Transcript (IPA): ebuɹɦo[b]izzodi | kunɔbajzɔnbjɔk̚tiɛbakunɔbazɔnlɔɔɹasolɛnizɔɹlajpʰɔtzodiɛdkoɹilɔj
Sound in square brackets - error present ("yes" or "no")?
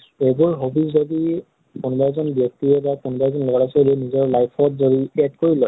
no